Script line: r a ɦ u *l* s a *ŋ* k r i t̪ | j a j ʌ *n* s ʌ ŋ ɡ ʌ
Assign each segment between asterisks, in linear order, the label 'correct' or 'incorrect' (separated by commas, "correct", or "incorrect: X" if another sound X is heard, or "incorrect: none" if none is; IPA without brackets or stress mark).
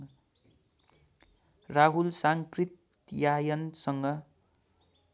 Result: correct, correct, correct